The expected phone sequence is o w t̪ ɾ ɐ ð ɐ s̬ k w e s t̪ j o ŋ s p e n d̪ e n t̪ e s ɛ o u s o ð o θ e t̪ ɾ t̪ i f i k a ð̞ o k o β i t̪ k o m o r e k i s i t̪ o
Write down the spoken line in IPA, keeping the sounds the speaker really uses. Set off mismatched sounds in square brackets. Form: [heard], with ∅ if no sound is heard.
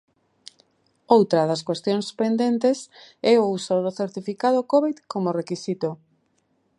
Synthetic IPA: o w t̪ ɾ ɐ ð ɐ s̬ k w e s t̪ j o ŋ s p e n d̪ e n t̪ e s ɛ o u s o ð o θ e [∅] ɾ t̪ i f i k a ð̞ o k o β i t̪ k o m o r e k i s i t̪ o